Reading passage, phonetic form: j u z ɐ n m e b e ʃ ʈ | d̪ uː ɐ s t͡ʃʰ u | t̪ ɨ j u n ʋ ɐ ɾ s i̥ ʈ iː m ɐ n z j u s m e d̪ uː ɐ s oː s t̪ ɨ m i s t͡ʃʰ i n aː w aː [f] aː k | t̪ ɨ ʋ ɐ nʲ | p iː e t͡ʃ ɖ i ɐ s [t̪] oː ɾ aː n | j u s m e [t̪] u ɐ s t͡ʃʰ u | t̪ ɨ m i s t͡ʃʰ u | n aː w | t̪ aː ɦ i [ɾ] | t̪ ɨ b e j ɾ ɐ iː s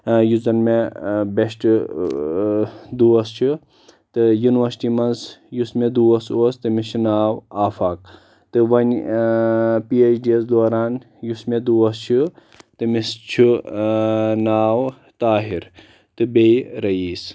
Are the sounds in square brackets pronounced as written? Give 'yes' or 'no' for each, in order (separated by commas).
yes, no, no, yes